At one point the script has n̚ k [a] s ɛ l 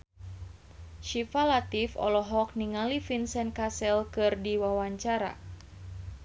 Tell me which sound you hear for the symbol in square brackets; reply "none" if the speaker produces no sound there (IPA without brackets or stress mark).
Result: a